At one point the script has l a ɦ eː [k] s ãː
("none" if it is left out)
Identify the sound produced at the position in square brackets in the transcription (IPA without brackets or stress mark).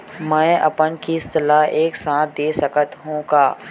k